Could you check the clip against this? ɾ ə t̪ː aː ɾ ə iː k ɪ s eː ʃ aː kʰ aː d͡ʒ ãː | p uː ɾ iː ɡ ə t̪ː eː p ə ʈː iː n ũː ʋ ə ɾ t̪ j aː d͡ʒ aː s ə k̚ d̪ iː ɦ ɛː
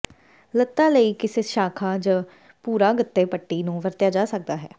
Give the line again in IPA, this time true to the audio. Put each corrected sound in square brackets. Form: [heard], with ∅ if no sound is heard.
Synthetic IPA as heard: [l] ə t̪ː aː [l] ə iː k ɪ s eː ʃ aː kʰ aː d͡ʒ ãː | p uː ɾ [aː] ɡ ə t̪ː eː p ə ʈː iː n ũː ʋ ə ɾ t̪ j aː d͡ʒ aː s ə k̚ d̪ [aː] ɦ ɛː

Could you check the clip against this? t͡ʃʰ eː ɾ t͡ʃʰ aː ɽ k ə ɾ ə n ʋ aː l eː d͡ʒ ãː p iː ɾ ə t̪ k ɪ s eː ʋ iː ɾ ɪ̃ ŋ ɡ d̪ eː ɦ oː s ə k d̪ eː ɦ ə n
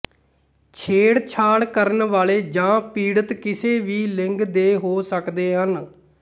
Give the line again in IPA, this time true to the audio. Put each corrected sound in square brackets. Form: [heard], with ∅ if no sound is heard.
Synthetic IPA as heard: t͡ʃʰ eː [ɽ] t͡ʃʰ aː ɽ k ə ɾ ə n ʋ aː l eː d͡ʒ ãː p iː [ɽ] ə t̪ k ɪ s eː ʋ iː [l] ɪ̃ ŋ ɡ d̪ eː ɦ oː s ə k d̪ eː ɦ ə n

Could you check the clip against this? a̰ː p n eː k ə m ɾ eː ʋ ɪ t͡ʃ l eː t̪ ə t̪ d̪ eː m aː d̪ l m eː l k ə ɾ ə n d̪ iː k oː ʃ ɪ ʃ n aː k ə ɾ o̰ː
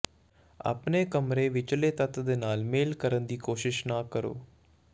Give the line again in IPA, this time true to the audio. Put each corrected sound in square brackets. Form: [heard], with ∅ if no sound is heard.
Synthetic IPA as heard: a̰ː p n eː k ə m ɾ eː ʋ ɪ t͡ʃ l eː t̪ ə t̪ d̪ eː [n] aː [∅] l m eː l k ə ɾ ə n d̪ iː k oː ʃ ɪ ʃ n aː k ə ɾ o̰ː

